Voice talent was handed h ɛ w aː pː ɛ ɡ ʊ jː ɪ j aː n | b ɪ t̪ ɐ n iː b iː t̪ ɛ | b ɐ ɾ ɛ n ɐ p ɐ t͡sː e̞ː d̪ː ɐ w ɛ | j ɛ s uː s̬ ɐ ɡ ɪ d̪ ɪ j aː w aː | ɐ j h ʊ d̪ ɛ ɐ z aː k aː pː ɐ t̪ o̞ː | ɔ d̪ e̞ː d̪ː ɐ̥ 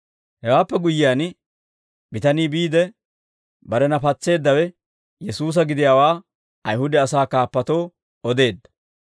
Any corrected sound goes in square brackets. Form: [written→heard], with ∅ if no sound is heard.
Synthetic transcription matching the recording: h ɛ w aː pː ɛ ɡ ʊ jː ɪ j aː n | b ɪ t̪ ɐ n iː b iː [t̪→d̪] ɛ | b ɐ ɾ ɛ n ɐ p ɐ t͡sː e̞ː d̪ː ɐ w ɛ | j ɛ s uː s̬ ɐ ɡ ɪ d̪ ɪ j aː w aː | ɐ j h ʊ d̪ ɛ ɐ [z→s] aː k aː pː ɐ t̪ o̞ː | ɔ d̪ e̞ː d̪ː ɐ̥

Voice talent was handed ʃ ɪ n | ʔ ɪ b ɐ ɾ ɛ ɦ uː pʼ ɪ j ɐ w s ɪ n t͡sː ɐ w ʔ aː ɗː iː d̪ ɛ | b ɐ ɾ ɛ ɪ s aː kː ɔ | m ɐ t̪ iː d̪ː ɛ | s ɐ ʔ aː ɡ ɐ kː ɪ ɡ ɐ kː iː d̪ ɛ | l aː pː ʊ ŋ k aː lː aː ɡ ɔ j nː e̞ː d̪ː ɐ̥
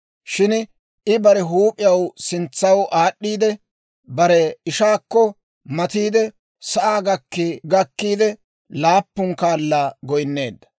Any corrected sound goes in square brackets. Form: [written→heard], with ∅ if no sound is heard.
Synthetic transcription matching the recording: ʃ ɪ n | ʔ ɪ b ɐ ɾ ɛ ɦ uː pʼ ɪ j ɐ w s ɪ n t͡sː ɐ w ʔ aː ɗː iː d̪ ɛ | b ɐ ɾ ɛ ɪ [s→ʃ] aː kː ɔ | m ɐ t̪ iː [d̪ː→d̪] ɛ | s ɐ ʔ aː ɡ ɐ kː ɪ ɡ ɐ kː iː d̪ ɛ | l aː pː ʊ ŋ k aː lː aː ɡ ɔ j nː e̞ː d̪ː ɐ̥

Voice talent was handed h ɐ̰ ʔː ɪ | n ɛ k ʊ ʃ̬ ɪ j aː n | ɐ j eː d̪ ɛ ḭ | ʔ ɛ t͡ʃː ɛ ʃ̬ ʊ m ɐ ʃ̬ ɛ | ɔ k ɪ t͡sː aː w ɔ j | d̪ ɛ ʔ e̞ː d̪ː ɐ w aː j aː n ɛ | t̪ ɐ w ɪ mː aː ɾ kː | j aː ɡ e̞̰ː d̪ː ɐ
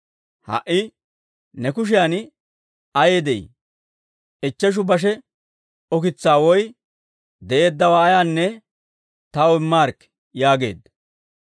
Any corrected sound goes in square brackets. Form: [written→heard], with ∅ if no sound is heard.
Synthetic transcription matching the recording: h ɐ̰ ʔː ɪ | n ɛ k ʊ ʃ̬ ɪ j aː n | ɐ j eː d̪ ɛ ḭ | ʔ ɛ t͡ʃː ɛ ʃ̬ ʊ [m→b] ɐ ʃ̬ ɛ | ɔ k ɪ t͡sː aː w ɔ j | d̪ ɛ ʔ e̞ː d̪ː ɐ w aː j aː [n→nː] ɛ | t̪ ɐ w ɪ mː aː ɾ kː | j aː ɡ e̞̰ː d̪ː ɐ

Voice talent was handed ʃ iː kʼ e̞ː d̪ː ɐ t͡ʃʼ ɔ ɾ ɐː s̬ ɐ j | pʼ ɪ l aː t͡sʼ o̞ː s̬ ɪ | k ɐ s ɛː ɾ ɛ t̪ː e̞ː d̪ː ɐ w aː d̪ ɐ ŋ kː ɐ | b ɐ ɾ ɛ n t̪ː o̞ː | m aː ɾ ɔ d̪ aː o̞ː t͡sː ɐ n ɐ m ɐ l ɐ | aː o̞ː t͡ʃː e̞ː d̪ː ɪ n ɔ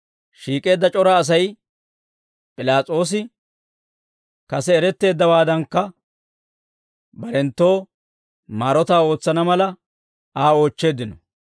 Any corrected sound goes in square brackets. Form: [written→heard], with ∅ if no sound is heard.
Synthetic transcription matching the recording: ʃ iː kʼ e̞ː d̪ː ɐ t͡ʃʼ ɔ ɾ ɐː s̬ ɐ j | pʼ ɪ l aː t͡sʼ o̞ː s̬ ɪ | k ɐ s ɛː ɾ ɛ t̪ː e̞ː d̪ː ɐ w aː d̪ ɐ ŋ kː ɐ | b ɐ ɾ ɛ n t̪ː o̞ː | m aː ɾ ɔ [d̪→t̪] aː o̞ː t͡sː ɐ n ɐ m ɐ l ɐ | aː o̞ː t͡ʃː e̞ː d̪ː ɪ n ɔ

